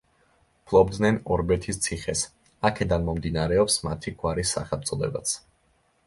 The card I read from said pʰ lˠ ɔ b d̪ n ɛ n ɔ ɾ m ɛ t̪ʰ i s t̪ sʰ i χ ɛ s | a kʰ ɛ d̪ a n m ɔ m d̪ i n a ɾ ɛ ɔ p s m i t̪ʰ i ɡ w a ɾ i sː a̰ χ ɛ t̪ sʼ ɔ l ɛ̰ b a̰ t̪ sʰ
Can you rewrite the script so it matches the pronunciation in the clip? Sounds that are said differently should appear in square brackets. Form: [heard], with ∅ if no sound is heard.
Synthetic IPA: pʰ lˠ ɔ b d̪ n ɛ n ɔ ɾ [b] ɛ t̪ʰ i s t̪ sʰ i χ ɛ s | a kʰ ɛ d̪ a n m ɔ m d̪ i n a ɾ ɛ ɔ p s m [a] t̪ʰ i ɡ w a ɾ i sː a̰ χ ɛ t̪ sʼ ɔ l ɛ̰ b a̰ t̪ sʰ